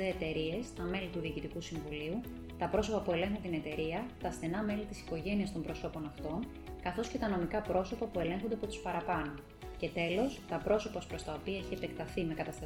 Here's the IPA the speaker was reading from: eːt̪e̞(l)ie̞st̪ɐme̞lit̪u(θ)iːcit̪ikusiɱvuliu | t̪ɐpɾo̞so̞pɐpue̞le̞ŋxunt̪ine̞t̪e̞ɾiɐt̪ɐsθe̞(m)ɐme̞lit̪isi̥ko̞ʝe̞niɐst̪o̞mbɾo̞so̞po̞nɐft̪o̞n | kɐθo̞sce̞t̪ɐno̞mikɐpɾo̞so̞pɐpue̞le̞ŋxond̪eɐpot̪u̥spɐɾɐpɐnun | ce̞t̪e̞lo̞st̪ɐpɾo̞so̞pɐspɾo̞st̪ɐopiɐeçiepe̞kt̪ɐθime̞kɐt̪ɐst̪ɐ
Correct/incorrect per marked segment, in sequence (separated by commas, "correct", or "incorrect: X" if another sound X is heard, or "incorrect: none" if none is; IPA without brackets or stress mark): incorrect: ɾ, incorrect: ð, incorrect: n